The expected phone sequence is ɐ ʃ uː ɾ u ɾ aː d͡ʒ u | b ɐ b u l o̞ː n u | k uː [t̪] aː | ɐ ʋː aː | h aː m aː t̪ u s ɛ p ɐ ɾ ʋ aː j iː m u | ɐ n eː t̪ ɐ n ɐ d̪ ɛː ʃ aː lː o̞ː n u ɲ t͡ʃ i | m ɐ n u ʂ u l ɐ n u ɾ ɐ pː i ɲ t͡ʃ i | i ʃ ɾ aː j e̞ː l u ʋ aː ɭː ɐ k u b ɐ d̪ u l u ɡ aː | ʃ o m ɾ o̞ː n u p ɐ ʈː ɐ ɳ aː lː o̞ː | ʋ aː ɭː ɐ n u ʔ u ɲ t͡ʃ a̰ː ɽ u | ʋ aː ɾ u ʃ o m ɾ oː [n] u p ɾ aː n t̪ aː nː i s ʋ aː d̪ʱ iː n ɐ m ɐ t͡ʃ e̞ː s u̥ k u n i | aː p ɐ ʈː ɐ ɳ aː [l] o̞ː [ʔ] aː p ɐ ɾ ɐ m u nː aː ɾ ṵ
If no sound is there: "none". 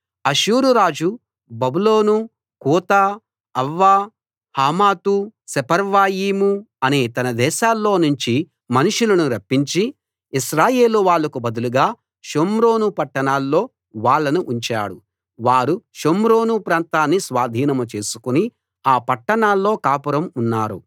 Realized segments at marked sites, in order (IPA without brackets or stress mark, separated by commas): t̪, n, lː, k